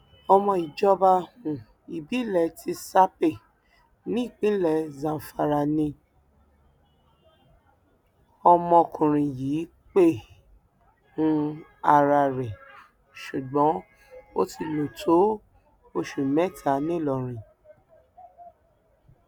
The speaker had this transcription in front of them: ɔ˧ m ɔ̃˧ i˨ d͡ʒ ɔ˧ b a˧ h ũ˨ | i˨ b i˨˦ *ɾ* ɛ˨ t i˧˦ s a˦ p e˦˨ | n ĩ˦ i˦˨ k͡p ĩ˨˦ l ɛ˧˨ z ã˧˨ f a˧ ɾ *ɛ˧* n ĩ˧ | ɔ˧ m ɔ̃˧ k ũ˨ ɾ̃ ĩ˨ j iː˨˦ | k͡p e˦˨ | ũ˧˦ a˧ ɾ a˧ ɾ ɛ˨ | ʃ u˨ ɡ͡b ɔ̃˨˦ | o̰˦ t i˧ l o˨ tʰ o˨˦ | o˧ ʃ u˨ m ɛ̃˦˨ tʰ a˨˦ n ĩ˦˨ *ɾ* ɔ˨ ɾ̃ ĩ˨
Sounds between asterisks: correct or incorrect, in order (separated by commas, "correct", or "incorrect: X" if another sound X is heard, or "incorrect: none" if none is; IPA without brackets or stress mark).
incorrect: l, incorrect: a˧, incorrect: l